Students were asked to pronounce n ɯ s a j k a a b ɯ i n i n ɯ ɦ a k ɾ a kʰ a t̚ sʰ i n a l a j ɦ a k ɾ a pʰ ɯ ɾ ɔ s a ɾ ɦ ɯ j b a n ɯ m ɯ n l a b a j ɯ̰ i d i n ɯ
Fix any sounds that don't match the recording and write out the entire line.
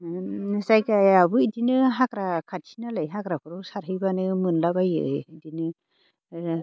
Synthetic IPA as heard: n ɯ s a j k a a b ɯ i d i n ɯ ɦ a k ɾ a kʰ a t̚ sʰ i n a l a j ɦ a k ɾ a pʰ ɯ ɾ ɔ s a ɾ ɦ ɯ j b a n ɯ m ɯ n l a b a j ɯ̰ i d i n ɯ